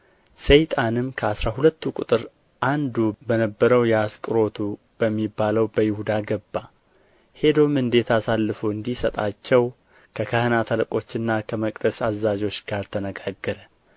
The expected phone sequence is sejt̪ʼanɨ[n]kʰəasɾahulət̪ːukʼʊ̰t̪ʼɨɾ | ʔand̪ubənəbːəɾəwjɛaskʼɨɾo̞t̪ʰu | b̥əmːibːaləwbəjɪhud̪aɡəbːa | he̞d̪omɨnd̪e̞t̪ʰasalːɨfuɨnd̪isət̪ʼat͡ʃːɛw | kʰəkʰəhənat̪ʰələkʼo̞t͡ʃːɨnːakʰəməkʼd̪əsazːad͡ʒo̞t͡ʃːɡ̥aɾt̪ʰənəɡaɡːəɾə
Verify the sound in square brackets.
incorrect: m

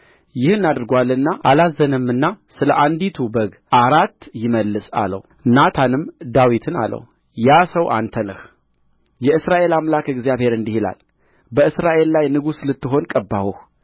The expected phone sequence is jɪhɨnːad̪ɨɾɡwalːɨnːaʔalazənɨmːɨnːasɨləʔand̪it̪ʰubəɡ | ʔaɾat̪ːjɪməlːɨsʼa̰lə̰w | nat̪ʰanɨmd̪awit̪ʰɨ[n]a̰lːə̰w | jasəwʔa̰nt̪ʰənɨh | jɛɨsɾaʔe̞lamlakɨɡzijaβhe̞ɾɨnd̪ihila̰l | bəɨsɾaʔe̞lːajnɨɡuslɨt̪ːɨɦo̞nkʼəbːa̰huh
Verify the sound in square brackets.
correct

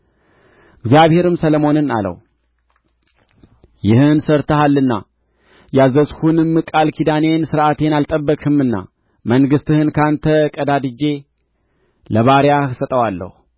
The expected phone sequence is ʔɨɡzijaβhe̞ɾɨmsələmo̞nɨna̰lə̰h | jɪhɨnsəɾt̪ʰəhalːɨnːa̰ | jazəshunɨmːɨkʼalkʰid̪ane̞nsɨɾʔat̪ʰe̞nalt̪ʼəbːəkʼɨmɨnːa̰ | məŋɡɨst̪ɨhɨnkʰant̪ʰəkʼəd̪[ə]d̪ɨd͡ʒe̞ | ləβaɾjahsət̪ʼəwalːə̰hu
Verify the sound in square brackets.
incorrect: a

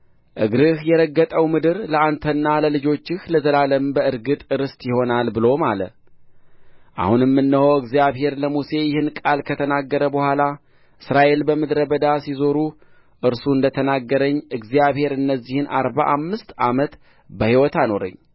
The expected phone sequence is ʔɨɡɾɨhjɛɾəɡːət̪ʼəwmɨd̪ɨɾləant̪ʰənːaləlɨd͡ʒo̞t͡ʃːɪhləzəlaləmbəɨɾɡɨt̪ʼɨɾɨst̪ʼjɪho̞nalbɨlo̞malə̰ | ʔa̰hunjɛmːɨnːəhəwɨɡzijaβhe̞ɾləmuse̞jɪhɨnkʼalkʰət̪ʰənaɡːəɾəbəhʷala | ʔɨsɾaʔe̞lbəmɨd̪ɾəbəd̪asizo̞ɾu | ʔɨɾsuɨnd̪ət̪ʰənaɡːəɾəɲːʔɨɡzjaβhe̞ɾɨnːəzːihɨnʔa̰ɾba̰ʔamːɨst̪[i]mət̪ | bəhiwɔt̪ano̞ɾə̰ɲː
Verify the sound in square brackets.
incorrect: a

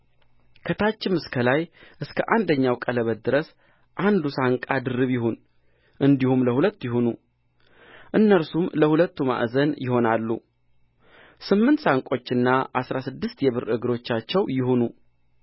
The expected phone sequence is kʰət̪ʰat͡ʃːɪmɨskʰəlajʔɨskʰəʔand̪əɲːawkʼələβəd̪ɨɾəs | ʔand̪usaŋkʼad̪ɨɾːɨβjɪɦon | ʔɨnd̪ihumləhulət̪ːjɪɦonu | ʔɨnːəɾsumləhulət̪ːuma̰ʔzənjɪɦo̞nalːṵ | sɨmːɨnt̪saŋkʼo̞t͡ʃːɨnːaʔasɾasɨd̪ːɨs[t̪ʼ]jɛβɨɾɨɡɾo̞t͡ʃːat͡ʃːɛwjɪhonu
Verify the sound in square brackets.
incorrect: t̪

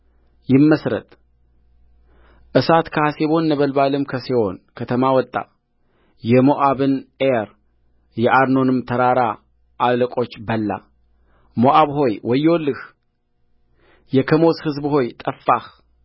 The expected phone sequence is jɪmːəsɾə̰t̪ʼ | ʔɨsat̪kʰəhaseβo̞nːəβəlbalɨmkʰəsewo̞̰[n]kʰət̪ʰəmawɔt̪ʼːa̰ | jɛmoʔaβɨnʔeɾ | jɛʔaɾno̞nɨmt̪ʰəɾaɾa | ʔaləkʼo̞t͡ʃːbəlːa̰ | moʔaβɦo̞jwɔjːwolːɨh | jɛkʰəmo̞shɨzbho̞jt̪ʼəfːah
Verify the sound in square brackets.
correct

